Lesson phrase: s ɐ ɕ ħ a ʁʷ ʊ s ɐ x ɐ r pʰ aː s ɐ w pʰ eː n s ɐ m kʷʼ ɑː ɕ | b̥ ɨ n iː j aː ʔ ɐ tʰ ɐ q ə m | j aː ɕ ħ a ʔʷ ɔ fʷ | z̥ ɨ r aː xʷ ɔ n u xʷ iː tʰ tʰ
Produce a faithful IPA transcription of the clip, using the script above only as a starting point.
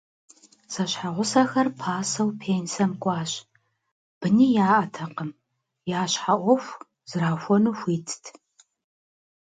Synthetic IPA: s ɐ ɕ ħ a ʁʷ ʊ s ɐ x ɐ r pʰ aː s ɐ w pʰ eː n s ɐ m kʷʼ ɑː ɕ | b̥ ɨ n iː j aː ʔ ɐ tʰ ɐ q ə m | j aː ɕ ħ a ʔʷ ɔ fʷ | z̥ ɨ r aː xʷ ɔ n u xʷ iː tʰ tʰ